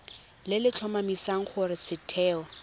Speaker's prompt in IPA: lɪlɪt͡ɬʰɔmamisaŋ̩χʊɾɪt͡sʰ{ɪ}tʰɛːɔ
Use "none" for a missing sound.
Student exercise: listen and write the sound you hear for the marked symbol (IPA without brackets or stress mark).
ɪ